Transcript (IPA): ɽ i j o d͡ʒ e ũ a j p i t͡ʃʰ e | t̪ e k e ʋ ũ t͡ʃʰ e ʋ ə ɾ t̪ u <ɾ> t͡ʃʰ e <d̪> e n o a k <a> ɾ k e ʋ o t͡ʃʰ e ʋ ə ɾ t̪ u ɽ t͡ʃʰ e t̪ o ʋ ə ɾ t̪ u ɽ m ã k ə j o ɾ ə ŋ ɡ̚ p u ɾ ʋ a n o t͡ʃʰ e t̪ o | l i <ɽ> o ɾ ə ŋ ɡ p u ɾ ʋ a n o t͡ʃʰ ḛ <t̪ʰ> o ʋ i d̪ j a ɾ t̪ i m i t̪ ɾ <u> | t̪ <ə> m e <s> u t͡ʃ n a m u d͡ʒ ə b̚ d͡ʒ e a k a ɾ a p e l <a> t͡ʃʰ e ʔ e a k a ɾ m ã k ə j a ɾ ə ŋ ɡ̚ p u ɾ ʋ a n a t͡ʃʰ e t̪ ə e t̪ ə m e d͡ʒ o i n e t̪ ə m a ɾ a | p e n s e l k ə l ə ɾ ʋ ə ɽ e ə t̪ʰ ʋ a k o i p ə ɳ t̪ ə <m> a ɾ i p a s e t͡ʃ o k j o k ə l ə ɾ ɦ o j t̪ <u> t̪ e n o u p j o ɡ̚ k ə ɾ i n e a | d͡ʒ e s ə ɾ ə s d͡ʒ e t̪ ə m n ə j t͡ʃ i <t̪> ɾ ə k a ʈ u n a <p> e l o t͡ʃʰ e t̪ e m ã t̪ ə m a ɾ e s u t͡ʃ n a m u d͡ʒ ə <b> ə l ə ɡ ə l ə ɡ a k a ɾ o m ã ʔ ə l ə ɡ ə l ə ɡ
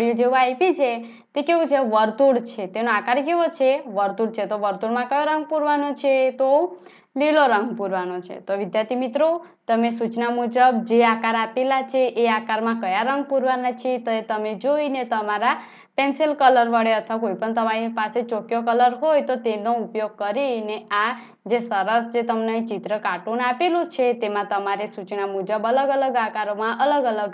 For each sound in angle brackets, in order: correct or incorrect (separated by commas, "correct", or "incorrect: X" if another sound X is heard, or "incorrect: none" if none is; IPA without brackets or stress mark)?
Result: incorrect: ɽ, incorrect: t̪, correct, incorrect: l, incorrect: t̪, incorrect: o, correct, correct, correct, correct, incorrect: o, correct, correct, correct